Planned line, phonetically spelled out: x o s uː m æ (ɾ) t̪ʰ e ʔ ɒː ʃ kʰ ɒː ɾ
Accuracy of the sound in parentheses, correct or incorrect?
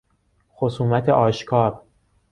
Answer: incorrect: none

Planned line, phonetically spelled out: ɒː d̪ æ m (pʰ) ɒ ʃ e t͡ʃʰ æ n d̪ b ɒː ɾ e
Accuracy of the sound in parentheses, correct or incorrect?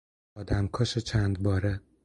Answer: incorrect: kʰ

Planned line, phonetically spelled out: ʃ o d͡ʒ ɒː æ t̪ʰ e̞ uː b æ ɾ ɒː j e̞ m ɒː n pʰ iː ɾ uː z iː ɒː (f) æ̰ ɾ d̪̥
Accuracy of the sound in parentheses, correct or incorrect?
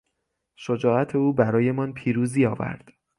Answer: incorrect: v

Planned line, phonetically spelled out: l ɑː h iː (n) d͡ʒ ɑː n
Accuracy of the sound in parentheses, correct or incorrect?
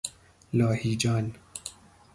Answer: incorrect: none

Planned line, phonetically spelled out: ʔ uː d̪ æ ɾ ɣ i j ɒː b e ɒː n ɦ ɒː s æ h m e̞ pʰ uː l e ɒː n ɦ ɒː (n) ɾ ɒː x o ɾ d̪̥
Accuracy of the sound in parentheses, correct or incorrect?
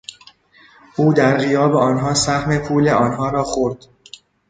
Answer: incorrect: none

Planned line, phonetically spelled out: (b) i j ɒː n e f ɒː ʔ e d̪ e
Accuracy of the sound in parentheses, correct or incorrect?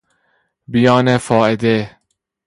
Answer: correct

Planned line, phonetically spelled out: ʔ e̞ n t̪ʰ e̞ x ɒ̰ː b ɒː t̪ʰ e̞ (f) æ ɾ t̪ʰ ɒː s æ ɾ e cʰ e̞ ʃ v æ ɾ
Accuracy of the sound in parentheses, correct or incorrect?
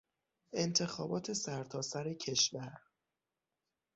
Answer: incorrect: s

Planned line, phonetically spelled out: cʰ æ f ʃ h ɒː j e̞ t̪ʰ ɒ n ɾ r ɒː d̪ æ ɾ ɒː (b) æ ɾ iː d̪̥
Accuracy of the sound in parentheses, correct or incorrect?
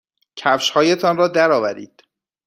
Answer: incorrect: v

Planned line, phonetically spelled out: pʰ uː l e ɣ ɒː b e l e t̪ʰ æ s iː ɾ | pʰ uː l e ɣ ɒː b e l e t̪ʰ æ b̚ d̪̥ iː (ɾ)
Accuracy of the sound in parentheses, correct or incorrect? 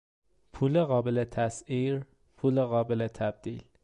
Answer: incorrect: l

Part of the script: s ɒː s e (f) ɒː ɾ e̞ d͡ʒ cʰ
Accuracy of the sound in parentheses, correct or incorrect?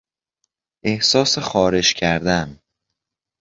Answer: incorrect: x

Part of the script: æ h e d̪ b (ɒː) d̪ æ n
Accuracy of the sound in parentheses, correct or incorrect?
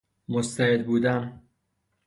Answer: incorrect: uː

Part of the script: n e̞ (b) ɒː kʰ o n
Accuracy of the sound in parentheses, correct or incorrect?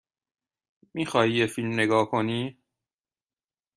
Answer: incorrect: ɡ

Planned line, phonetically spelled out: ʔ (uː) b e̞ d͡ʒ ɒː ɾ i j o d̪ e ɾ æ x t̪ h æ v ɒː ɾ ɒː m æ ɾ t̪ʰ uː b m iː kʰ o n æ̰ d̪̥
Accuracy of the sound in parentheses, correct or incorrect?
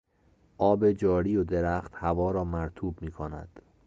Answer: incorrect: ɒː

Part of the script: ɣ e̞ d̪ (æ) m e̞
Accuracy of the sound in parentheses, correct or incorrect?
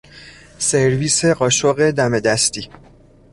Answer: correct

